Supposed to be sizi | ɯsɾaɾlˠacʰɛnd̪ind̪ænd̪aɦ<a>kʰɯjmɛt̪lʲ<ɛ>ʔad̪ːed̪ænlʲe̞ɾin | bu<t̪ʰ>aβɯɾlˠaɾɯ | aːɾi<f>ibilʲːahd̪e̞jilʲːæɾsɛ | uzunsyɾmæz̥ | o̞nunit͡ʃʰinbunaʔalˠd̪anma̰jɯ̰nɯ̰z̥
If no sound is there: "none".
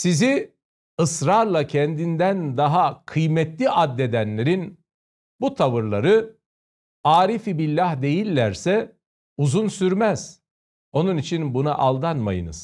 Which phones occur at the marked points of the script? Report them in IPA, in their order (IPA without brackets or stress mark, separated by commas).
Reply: a, i, t̪ʰ, f